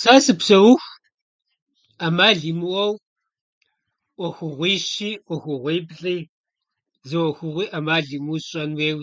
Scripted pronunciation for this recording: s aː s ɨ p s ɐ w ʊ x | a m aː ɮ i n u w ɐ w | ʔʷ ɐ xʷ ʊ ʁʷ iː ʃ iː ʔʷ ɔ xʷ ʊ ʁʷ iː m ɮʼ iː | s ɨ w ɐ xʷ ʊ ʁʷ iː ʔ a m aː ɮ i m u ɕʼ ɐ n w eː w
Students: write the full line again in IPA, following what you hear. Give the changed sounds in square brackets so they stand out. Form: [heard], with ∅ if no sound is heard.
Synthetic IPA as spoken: s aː s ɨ p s ɐ w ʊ x | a m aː ɮ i [m] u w ɐ w | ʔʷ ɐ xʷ ʊ ʁʷ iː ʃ iː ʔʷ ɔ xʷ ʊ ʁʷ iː [b] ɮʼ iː | [z] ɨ w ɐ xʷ ʊ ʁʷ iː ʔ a m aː ɮ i m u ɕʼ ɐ n w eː w